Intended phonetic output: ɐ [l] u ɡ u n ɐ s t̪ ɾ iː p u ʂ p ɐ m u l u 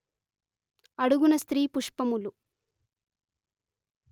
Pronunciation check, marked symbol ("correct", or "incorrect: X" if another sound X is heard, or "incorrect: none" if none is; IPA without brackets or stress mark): incorrect: ɽ